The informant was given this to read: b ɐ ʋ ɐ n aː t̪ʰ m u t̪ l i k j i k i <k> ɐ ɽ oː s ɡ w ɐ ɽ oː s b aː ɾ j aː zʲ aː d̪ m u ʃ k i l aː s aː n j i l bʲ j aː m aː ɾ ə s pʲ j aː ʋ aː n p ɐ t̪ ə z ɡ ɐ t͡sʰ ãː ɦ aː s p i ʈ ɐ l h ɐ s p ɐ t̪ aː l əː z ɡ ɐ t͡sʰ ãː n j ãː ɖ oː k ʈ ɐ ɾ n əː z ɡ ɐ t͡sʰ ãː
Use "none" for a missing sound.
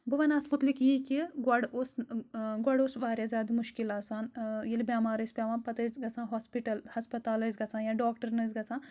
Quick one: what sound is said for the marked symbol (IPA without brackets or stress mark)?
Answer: ɡ